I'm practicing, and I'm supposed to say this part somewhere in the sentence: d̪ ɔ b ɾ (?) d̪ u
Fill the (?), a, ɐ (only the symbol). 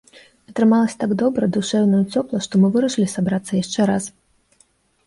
ɐ